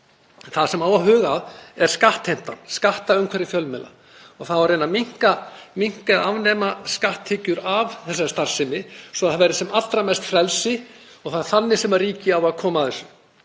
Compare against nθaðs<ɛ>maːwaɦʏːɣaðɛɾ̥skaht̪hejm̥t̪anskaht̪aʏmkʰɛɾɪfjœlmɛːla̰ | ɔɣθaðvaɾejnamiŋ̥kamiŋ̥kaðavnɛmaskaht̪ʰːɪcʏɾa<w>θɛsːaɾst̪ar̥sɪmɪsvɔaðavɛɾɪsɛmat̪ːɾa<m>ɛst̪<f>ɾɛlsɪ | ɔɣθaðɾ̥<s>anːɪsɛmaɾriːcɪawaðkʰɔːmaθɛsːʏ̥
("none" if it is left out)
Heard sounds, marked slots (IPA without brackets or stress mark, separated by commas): ɛ, v, m, f, θ